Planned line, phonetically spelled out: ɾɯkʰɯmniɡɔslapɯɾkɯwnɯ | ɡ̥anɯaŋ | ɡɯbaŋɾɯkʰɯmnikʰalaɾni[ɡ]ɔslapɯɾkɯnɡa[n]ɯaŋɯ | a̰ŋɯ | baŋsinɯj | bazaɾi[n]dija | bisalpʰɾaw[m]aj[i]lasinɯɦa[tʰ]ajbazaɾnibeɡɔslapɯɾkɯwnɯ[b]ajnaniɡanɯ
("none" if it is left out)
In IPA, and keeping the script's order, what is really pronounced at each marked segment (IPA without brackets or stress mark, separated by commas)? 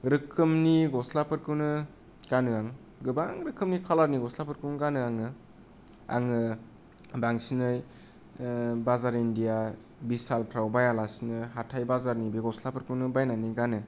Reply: ɡ, n, n, b, a, tʰ, b